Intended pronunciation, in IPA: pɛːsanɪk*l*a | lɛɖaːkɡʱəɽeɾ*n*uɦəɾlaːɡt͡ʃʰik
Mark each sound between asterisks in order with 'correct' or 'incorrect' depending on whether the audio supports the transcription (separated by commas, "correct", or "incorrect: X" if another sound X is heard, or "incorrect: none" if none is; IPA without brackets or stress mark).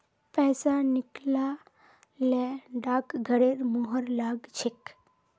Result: correct, incorrect: m